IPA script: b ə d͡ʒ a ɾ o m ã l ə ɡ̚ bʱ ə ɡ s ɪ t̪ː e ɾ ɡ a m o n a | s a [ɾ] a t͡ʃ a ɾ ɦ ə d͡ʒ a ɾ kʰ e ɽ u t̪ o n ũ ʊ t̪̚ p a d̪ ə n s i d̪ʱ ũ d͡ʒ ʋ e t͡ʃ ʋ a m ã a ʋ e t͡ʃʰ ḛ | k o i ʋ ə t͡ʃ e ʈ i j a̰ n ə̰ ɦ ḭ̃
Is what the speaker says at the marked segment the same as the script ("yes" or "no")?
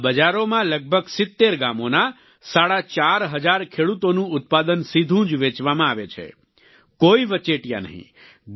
no